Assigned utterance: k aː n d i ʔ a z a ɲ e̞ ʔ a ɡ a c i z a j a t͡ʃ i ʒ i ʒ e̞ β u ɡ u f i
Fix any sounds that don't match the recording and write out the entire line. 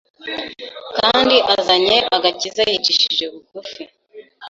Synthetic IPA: k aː n d i ʔ a z a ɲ e̞ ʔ a ɡ a c i z a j i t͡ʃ i ʃ i ʒ e̞ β u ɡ u f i